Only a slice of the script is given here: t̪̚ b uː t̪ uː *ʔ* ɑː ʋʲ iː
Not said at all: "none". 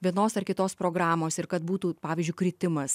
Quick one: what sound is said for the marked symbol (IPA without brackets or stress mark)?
p